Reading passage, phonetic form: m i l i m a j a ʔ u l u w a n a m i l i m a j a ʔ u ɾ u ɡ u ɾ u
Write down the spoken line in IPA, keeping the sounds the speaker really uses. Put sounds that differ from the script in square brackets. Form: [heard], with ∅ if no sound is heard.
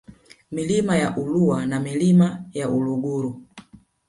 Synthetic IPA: m i l i m a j a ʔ u l u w a n a m i l i m a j a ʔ u [l] u ɡ u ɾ u